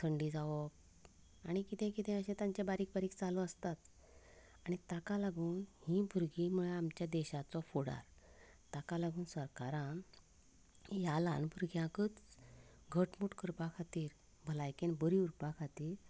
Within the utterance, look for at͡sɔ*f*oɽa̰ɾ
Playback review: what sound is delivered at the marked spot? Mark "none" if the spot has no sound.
f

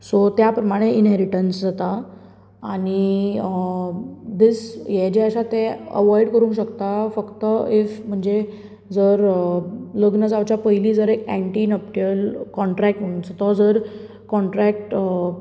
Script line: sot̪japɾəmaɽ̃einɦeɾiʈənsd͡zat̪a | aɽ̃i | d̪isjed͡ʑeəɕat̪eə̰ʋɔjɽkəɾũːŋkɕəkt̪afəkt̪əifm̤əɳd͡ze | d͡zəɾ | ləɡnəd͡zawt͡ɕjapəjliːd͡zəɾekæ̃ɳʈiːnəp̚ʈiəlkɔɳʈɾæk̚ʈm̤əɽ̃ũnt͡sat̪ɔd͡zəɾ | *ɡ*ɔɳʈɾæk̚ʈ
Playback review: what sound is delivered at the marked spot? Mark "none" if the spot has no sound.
k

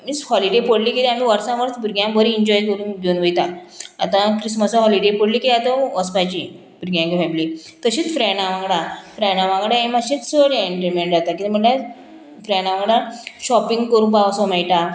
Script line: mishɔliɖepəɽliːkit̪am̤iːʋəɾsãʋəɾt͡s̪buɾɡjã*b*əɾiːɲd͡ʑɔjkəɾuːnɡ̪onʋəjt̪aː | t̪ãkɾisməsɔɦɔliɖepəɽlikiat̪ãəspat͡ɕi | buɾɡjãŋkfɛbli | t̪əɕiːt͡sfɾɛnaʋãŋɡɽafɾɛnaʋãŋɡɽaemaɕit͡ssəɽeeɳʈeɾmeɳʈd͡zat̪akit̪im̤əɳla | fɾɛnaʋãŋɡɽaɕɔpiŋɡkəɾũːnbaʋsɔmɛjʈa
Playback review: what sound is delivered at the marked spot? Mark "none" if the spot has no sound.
b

